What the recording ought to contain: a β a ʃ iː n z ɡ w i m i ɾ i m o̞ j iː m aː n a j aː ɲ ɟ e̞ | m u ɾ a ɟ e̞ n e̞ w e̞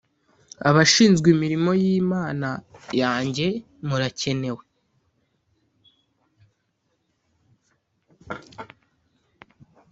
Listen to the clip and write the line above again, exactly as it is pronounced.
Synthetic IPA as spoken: a β a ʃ iː n z ɡ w i m i ɾ i m o̞ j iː m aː n a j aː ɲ ɟ e̞ | m u ɾ a c e̞ n e̞ w e̞